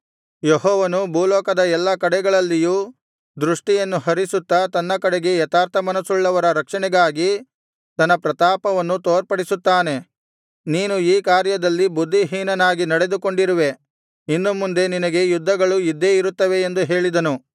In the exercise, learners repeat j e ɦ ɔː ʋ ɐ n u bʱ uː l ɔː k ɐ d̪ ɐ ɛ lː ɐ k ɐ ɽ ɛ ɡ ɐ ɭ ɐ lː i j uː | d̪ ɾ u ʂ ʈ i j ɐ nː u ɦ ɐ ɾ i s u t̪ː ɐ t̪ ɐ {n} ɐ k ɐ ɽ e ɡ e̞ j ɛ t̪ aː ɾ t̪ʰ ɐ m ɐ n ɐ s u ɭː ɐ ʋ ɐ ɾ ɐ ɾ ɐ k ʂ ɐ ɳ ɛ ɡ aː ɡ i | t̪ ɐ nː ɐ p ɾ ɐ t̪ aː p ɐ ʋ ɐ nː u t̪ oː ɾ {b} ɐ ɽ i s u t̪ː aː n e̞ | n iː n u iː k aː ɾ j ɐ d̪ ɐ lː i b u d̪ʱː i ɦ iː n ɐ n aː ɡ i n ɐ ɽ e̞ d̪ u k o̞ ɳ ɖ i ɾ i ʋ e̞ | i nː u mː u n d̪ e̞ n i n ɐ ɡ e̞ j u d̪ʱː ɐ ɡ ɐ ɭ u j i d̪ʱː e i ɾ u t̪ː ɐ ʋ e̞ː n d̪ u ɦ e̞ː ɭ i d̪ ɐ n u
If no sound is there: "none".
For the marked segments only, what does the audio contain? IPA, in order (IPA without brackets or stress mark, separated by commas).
nː, p